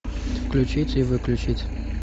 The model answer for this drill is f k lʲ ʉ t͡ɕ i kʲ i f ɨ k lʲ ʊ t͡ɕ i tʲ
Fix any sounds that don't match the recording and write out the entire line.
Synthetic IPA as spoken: f k lʲ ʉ t͡ɕ i tʲ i v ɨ k lʲ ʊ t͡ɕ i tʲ